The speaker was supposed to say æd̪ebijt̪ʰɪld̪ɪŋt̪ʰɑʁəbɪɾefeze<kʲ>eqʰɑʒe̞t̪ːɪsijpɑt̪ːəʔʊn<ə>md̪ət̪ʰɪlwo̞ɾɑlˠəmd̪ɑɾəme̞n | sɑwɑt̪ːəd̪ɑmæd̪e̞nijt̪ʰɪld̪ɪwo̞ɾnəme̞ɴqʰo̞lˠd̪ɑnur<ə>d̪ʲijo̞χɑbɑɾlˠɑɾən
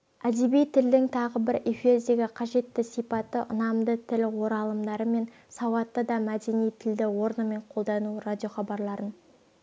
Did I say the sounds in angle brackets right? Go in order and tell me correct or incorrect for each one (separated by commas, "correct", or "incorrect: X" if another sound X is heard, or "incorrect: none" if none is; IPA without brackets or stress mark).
incorrect: ɡʲ, incorrect: ɑ, incorrect: a